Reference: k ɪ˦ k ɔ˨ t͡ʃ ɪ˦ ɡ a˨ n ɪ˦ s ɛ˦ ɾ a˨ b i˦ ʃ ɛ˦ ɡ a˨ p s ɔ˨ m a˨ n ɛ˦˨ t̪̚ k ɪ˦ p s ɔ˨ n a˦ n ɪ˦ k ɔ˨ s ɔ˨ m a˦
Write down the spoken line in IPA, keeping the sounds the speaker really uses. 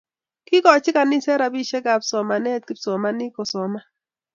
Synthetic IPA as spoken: k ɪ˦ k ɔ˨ t͡ʃ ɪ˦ k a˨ n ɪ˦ s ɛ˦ ɾ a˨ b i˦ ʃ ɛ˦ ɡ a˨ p s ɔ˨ m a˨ n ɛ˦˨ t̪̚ k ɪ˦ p s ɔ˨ m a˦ n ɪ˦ k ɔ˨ s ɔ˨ m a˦